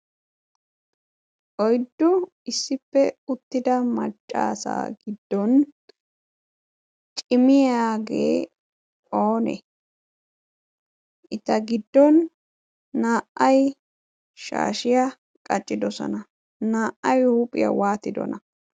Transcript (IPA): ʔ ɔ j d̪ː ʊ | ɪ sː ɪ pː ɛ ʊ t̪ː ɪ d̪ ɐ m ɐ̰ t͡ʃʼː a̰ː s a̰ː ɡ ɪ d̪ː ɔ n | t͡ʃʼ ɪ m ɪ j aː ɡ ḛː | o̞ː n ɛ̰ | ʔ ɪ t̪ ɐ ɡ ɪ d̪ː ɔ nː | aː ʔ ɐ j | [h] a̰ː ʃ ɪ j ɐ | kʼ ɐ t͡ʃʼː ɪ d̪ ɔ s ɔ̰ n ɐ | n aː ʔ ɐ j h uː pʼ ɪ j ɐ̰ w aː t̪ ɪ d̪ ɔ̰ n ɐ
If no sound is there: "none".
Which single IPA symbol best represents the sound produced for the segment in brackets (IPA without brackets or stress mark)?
ʃ